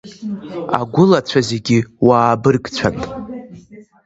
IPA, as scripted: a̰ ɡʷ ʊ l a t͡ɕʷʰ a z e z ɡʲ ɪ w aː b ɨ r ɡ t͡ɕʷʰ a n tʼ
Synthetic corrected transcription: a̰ ɡʷ ʊ l a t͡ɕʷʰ a z e ɡʲ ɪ w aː b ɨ r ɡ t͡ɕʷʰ a n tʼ